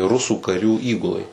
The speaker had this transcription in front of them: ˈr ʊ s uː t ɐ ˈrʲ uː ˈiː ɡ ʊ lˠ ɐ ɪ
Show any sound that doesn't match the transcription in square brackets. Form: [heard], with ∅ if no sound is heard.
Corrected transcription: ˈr ʊ s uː [k] ɐ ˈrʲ uː ˈiː ɡ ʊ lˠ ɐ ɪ

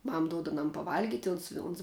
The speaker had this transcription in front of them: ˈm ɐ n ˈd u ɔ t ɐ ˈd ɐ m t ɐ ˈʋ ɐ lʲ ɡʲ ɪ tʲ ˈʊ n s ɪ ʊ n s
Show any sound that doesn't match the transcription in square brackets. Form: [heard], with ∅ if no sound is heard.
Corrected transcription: ˈm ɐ [m] ˈd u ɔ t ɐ [ˈn] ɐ m [p] ɐ ˈʋ ɐ lʲ ɡʲ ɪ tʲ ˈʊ n s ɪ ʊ n s

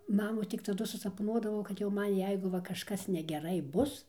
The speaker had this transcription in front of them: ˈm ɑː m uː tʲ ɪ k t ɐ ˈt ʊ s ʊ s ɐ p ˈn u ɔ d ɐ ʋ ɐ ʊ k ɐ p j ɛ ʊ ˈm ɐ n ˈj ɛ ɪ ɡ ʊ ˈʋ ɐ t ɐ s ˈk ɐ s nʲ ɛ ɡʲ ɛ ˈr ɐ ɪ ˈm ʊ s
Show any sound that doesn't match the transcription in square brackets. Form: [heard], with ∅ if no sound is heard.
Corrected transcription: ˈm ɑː m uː tʲ ɪ k t ɐ [ˈd] ʊ s ʊ s ɐ p ˈn u ɔ d ɐ ʋ ɐ ʊ k ɐ [t] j ɛ ʊ ˈm ɐ n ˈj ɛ ɪ ɡ ʊ ˈʋ ɐ [k] ɐ [ʃ] ˈk ɐ s nʲ ɛ ɡʲ ɛ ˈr ɐ ɪ [ˈb] ʊ s

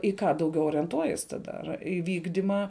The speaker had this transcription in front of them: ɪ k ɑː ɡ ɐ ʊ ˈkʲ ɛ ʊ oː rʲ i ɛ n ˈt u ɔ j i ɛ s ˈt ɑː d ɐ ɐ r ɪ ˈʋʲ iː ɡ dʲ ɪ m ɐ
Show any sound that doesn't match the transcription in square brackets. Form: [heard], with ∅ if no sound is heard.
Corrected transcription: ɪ k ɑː [d] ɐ ʊ [ˈɡʲ] ɛ ʊ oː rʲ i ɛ n ˈt u ɔ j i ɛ s ˈt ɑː d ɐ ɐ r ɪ ˈʋʲ iː ɡ dʲ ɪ m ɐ

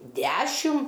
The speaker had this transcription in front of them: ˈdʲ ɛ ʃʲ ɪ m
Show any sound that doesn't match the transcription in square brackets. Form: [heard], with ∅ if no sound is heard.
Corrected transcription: ˈdʲ [æ] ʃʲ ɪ m

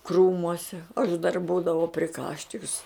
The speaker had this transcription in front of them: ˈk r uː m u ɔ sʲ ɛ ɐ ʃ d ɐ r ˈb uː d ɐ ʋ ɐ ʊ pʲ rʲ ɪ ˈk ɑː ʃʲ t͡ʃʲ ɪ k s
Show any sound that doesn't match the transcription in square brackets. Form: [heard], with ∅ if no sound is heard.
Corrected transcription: ˈk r uː m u ɔ sʲ ɛ ɐ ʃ d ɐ r ˈb uː d ɐ ʋ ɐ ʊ pʲ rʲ ɪ ˈk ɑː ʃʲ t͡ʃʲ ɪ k s

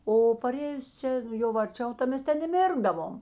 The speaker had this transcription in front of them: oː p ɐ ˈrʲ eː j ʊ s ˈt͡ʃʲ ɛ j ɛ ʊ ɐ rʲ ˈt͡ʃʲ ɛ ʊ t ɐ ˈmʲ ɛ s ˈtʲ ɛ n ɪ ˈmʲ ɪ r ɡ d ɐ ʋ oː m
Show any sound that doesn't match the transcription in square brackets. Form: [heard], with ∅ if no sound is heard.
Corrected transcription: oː p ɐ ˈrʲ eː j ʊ s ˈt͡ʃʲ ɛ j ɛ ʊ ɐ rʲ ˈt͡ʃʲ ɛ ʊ t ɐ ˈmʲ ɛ s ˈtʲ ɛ n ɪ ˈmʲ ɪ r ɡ d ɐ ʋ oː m

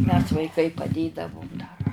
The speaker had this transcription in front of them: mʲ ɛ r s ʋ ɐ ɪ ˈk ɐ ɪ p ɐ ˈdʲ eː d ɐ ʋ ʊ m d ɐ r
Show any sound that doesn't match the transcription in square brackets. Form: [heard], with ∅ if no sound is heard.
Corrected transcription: mʲ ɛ [∅] s ʋ ɐ ɪ ˈk ɐ ɪ p ɐ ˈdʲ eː d ɐ ʋ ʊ m d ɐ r

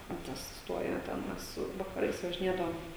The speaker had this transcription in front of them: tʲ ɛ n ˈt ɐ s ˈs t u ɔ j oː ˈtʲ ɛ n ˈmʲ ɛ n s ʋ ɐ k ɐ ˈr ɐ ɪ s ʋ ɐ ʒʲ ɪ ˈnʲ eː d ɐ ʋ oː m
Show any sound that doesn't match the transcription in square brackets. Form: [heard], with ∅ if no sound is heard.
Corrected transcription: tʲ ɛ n ˈt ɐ s ˈs t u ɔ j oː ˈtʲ ɛ n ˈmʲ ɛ [∅] s ʋ ɐ k ɐ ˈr ɐ ɪ s ʋ ɐ ʒʲ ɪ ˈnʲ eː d ɐ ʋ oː m

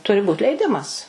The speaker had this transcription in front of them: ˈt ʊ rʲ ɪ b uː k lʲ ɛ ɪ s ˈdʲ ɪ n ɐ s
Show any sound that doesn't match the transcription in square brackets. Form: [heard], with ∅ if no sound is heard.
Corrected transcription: ˈt ʊ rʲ ɪ b uː [t] lʲ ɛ ɪ [∅] ˈdʲ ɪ [m] ɐ s

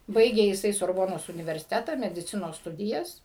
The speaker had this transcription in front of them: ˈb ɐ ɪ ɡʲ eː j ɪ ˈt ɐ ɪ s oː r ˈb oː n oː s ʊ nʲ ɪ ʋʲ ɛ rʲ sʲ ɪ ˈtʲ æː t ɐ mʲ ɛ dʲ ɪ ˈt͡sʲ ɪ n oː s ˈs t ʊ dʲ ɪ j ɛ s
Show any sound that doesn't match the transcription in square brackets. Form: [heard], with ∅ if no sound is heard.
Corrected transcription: ˈb ɐ ɪ ɡʲ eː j ɪ [ˈs] ɐ ɪ s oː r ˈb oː n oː s ʊ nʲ ɪ ʋʲ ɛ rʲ sʲ ɪ ˈtʲ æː t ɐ mʲ ɛ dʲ ɪ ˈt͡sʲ ɪ n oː s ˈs t ʊ dʲ ɪ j ɛ s

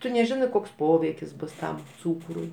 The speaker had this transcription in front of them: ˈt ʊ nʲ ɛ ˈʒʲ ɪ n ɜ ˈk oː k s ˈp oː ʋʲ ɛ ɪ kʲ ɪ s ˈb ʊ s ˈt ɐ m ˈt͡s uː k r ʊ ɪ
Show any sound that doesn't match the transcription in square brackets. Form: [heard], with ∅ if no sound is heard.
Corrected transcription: ˈt ʊ nʲ ɛ ˈʒʲ ɪ n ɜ ˈk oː k s ˈp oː ʋʲ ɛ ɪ kʲ ɪ s ˈb ʊ s ˈt ɐ m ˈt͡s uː k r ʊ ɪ

